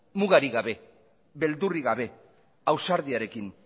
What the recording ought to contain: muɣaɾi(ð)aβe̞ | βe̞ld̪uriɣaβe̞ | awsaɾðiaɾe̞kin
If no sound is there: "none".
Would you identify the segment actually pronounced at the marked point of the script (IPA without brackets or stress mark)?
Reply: ɣ